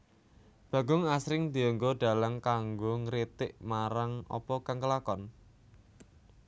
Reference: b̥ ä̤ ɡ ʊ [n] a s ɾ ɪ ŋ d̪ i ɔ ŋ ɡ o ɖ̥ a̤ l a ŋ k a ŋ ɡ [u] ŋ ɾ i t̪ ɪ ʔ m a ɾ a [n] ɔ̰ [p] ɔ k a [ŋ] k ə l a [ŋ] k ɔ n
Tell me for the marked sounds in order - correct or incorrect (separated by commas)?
incorrect, incorrect, incorrect, correct, correct, incorrect